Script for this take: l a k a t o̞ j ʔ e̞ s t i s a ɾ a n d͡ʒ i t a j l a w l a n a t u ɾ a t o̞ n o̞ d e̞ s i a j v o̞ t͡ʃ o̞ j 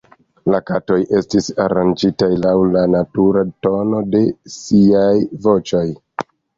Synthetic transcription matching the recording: l a k a t o̞ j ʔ e̞ s t i s a ɾ a n d͡ʒ i t a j l a w l a n a t u ɾ a t o̞ n o̞ d e̞ s i a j v o̞ t͡ʃ o̞ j